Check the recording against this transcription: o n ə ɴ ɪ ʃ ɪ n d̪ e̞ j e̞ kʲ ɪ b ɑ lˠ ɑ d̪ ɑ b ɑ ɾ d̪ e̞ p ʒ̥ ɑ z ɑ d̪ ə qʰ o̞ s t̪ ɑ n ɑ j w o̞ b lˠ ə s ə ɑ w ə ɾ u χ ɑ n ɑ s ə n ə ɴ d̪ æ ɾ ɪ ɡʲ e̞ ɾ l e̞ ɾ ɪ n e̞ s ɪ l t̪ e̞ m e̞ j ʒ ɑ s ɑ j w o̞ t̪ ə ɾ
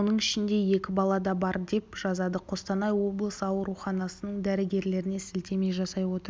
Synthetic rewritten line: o n ə ɴ ɪ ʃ ɪ n d̪ e̞ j e̞ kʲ ɪ b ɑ lˠ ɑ d̪ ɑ b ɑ ɾ d̪ e̞ p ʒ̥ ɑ z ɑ d̪ ə qʰ o̞ s t̪ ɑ n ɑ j w o̞ b lˠ ə s ə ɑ w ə ɾ u χ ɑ n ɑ s ə n ə ɴ d̪ æ ɾ ɪ ɡʲ e̞ ɾ l e̞ ɾ ɪ n e̞ s ɪ l t̪ e̞ m e̞ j ʒ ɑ s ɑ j w o̞ t̪ ə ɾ